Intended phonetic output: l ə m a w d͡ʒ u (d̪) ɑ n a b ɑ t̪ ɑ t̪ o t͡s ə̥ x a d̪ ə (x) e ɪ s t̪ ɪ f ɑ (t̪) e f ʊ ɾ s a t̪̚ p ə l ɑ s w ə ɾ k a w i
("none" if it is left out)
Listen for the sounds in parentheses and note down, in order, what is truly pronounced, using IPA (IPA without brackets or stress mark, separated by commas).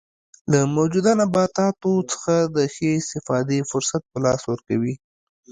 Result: d̪, x, d̪